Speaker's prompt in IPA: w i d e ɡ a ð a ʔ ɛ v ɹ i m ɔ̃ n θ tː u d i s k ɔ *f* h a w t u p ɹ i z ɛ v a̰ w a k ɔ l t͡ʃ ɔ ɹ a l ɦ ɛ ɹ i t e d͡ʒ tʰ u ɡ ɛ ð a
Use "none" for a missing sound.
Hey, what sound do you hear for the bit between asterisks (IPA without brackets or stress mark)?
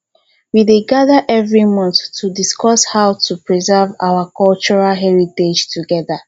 s